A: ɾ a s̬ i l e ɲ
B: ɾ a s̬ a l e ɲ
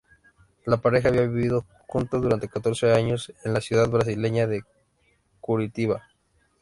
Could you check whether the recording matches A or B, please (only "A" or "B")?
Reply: A